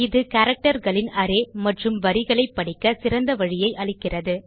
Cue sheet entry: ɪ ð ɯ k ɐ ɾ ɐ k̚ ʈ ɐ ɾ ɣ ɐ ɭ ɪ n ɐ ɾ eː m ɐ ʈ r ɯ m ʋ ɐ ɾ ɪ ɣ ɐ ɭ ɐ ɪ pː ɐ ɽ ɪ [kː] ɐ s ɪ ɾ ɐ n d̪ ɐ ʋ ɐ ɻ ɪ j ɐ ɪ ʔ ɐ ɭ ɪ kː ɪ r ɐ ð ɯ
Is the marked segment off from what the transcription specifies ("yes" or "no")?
no